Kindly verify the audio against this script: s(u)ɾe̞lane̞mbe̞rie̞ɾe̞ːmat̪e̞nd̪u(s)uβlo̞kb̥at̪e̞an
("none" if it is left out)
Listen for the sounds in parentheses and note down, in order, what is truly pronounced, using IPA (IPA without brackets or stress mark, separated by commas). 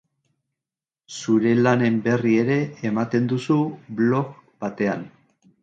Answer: u, s